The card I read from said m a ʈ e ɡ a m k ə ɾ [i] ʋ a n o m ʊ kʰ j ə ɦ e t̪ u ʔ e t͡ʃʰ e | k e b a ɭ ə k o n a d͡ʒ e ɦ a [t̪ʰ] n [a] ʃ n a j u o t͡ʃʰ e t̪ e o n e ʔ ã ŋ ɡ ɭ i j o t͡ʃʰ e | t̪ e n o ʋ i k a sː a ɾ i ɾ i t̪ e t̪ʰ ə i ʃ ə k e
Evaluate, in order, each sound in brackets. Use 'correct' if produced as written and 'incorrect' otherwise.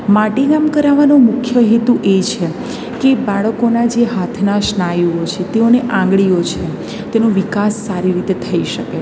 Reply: incorrect: a, correct, correct

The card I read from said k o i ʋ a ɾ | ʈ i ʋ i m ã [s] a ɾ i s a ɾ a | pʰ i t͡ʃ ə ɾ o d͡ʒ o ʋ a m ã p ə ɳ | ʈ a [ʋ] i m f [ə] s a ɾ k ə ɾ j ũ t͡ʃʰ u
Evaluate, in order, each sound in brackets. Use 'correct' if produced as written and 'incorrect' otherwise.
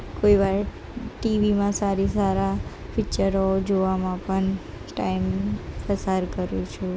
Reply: correct, incorrect: none, correct

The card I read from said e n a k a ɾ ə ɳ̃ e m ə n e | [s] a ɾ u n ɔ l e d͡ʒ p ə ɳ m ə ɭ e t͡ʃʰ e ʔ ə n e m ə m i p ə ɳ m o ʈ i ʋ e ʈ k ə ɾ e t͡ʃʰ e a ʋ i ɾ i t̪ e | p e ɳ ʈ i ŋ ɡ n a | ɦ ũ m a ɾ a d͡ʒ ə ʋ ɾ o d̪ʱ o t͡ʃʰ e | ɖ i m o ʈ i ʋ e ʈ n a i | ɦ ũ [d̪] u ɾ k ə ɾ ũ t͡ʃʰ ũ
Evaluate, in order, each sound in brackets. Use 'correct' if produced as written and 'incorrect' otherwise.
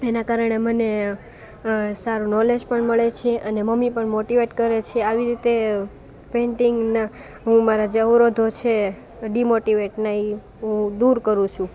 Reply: correct, correct

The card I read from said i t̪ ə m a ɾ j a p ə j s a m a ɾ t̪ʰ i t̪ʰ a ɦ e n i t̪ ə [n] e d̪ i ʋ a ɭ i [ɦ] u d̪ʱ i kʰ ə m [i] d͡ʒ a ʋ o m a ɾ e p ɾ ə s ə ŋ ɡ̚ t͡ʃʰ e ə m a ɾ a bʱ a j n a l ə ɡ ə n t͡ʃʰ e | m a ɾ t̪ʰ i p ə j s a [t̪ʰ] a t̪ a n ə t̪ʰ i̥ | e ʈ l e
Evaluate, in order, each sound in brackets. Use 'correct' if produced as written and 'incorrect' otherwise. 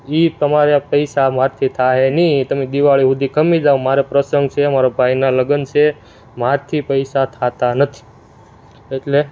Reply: incorrect: m, correct, correct, correct

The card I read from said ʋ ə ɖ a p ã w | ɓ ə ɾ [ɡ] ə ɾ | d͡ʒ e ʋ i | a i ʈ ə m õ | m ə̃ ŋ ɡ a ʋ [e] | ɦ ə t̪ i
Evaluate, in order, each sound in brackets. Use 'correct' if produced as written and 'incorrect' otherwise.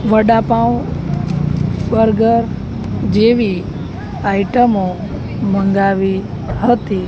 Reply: correct, incorrect: i

